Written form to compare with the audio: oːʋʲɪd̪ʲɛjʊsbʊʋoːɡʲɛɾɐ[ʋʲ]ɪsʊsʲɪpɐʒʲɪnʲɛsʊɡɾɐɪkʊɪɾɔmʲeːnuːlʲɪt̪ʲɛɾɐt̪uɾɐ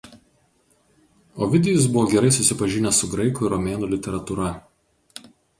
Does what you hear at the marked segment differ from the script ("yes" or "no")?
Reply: yes